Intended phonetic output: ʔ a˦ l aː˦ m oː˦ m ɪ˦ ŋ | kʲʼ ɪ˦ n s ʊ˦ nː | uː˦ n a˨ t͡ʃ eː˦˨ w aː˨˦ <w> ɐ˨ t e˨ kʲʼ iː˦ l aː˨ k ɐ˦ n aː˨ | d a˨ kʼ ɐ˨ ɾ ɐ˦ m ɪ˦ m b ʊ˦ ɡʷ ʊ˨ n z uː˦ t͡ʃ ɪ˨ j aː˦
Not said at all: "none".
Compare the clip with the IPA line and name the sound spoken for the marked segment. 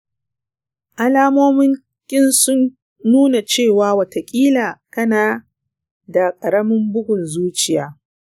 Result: w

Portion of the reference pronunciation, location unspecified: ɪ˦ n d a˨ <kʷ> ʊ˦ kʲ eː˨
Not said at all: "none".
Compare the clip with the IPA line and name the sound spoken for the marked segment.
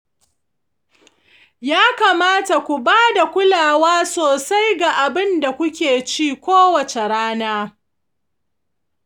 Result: kʷ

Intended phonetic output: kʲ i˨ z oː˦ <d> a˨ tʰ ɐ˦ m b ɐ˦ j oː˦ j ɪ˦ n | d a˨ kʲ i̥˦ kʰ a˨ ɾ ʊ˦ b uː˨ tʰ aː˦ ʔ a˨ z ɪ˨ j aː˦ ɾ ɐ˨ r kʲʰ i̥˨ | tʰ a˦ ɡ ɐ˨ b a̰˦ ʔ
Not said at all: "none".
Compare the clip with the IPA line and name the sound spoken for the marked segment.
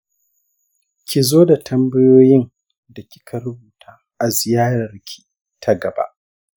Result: d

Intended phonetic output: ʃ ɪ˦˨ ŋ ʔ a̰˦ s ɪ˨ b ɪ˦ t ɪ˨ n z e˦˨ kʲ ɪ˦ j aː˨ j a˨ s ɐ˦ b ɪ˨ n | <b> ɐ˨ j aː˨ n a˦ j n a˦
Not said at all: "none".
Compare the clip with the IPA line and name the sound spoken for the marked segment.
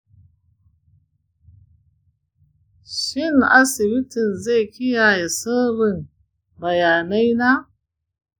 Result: b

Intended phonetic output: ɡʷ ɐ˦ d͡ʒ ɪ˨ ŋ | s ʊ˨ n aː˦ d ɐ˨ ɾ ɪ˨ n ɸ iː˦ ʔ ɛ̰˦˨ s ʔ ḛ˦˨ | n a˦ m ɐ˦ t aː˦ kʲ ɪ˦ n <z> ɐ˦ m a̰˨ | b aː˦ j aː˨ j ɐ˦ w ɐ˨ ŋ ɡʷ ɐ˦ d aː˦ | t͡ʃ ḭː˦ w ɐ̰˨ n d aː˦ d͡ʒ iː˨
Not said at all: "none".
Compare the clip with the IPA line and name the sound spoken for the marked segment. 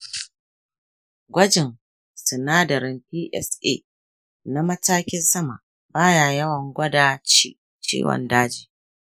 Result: s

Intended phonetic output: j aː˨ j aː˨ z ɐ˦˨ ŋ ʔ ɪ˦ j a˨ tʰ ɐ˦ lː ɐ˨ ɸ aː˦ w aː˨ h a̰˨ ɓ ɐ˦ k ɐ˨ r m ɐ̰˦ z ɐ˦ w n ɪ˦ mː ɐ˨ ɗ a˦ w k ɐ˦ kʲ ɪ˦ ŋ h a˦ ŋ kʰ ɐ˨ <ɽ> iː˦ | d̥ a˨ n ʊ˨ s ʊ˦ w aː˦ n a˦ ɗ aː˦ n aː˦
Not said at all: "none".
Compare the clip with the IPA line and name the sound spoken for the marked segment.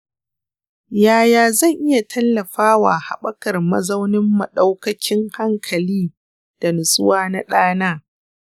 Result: l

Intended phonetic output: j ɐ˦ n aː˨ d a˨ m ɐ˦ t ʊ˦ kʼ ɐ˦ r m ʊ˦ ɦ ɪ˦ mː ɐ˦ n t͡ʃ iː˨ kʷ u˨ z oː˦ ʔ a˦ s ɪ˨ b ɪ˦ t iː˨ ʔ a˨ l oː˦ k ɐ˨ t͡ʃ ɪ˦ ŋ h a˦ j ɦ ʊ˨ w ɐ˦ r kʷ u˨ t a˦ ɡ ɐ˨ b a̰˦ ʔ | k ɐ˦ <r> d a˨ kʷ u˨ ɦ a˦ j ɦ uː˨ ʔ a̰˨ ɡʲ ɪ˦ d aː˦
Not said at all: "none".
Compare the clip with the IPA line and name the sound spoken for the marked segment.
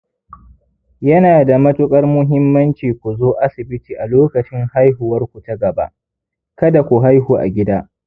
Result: none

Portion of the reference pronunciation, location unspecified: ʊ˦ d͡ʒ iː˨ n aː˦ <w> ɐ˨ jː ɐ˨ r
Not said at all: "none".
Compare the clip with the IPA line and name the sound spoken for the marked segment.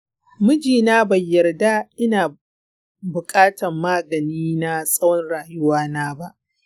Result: b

